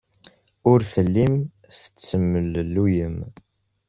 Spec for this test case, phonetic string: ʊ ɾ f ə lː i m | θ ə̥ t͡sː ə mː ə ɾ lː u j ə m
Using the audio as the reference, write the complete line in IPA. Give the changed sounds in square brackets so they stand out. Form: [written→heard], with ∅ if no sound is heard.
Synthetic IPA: ʊ ɾ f ə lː i m | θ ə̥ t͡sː ə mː ə [ɾ→l] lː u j ə m